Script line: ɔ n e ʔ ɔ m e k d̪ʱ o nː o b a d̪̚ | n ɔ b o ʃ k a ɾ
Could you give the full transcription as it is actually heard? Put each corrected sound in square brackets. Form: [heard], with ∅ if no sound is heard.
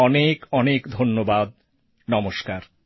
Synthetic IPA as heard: ɔ n e [k] ɔ [n] e k d̪ʱ o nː o b a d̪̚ | n ɔ [m] o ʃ k a ɾ